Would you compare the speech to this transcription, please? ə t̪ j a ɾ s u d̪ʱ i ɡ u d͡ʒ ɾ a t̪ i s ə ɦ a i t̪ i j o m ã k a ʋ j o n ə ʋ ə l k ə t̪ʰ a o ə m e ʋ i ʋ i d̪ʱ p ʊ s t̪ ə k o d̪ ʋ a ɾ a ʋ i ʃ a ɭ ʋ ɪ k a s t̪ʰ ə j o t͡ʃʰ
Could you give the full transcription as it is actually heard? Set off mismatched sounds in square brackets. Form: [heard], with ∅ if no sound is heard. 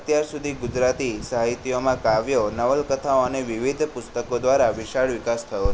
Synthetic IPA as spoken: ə t̪ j a ɾ s u d̪ʱ i ɡ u d͡ʒ ɾ a t̪ i s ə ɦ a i t̪ i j o m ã k a ʋ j o n ə ʋ ə l k ə t̪ʰ a o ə [n] e ʋ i ʋ i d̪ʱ p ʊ s t̪ ə k o d̪ ʋ a ɾ a ʋ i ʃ a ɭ ʋ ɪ k a s t̪ʰ ə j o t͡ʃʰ